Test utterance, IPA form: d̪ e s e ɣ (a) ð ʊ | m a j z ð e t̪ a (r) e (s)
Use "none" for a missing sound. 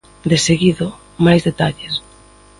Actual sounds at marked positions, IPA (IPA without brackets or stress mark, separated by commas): i, ʎ, s